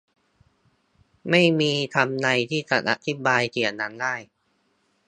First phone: m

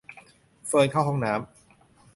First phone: f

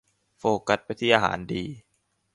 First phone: f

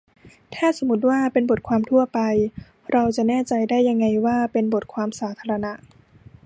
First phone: t̪ʰ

